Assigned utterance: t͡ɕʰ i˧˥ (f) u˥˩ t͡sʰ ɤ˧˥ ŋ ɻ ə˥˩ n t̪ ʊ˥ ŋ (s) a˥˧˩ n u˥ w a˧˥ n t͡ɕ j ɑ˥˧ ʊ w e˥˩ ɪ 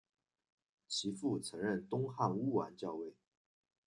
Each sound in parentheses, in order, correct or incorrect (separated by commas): correct, incorrect